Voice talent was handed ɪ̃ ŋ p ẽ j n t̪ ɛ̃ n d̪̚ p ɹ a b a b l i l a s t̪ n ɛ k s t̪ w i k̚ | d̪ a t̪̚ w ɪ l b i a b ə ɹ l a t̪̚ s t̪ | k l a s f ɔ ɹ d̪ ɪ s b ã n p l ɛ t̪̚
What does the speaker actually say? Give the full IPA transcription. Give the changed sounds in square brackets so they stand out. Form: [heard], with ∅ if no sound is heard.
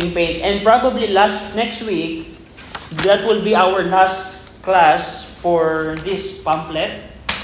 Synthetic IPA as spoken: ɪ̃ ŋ p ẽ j n t̪ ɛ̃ n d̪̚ p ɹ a b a b l i l a s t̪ n ɛ k s t̪ w i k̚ | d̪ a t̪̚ w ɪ l b i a [w] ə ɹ l a [∅] s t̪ | k l a s f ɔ ɹ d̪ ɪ s [p] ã [m] p l ɛ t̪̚